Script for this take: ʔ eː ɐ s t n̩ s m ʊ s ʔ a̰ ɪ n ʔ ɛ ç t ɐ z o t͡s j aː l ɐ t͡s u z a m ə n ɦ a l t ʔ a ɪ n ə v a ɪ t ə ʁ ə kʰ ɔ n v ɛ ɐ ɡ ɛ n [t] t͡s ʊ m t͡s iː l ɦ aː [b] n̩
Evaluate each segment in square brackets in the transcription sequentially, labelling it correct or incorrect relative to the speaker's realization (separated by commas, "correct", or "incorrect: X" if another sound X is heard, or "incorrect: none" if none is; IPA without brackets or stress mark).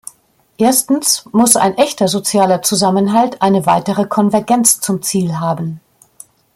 incorrect: t͡s, correct